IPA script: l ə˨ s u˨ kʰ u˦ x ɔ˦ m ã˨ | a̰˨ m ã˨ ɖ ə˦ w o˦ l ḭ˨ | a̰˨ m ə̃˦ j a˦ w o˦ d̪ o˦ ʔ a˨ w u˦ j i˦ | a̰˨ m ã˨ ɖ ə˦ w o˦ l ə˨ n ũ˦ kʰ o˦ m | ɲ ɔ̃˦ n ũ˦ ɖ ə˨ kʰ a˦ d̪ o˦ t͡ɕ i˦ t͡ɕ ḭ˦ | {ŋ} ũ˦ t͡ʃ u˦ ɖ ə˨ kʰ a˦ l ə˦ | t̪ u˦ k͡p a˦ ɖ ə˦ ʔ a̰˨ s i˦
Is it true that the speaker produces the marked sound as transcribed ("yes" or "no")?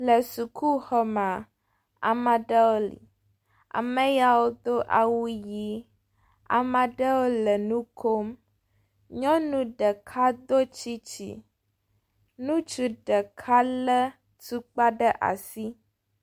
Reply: no